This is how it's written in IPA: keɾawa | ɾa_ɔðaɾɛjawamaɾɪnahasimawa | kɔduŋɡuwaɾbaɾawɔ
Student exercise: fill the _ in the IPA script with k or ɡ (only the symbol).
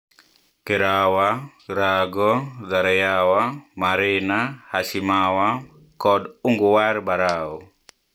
ɡ